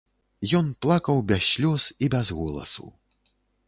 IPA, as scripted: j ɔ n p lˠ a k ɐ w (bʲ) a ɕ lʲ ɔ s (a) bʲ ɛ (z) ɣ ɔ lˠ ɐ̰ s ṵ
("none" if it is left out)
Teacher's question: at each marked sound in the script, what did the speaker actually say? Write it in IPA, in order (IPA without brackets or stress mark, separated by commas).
bʲ, i, z